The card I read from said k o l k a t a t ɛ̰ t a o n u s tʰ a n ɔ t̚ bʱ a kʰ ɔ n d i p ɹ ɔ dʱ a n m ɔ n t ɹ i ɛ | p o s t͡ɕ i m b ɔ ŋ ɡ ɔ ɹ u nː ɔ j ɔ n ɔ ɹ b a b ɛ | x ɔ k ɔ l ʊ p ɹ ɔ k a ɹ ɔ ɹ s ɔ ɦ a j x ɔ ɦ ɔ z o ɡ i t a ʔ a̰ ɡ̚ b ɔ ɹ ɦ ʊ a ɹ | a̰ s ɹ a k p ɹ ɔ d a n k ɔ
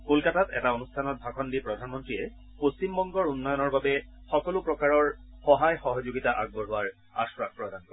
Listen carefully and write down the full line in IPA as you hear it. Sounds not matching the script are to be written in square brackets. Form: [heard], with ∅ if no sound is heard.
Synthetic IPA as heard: k o l k a t a t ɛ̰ t a o n u s tʰ a n ɔ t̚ bʱ a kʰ ɔ n d i p ɹ ɔ dʱ a n m ɔ n t ɹ i ɛ | p o s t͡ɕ i m b ɔ ŋ ɡ ɔ ɹ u nː ɔ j ɔ n ɔ ɹ b a b ɛ | x ɔ k ɔ l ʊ p ɹ ɔ k a ɹ ɔ ɹ [x] ɔ ɦ a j x ɔ ɦ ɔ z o ɡ i t a ʔ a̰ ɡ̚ b ɔ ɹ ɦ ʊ a ɹ | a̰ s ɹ a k p ɹ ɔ d a n k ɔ